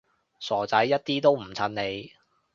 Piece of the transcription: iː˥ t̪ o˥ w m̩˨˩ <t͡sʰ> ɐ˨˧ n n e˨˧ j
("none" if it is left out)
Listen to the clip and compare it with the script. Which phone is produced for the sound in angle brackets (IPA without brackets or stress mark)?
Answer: t͡sʰ